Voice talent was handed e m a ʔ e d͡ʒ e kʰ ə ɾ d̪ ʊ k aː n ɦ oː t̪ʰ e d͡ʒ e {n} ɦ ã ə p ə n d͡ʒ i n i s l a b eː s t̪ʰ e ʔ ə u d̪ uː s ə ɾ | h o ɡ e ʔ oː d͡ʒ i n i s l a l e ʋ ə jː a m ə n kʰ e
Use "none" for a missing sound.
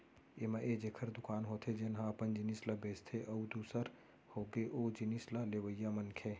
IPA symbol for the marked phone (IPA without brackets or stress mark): n